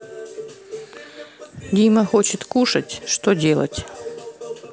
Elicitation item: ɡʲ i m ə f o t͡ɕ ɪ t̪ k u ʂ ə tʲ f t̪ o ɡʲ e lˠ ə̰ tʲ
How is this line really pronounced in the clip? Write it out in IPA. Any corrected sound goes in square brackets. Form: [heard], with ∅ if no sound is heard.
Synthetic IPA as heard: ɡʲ i m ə [x] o t͡ɕ ɪ t̪ k u ʂ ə tʲ [ʂ] t̪ o [dʲ] e lˠ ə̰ tʲ